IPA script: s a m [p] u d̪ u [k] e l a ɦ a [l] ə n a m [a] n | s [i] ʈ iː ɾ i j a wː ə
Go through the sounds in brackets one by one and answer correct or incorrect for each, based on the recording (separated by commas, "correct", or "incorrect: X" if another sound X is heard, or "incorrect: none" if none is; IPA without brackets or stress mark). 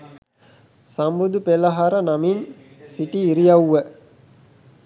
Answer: incorrect: b, incorrect: p, incorrect: ɾ, incorrect: i, correct